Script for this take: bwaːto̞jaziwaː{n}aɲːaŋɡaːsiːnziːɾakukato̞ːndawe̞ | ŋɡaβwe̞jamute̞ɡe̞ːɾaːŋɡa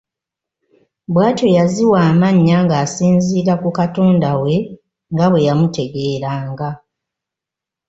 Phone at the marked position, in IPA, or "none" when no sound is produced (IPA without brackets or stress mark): m